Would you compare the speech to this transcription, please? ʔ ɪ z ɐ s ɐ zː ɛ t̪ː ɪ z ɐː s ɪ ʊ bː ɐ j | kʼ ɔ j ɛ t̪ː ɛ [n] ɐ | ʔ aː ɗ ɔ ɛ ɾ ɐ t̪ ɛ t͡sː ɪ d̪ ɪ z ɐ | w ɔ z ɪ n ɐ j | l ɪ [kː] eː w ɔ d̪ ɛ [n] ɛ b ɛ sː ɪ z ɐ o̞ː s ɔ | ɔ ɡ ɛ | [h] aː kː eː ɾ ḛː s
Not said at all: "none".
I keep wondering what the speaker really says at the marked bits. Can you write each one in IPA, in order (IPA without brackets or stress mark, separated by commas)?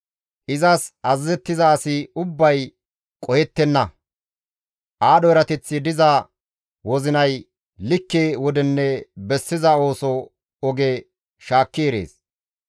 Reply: nː, kː, nː, ʃ